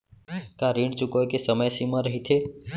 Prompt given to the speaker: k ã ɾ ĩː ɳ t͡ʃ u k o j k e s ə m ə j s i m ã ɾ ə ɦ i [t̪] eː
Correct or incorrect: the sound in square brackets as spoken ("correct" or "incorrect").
incorrect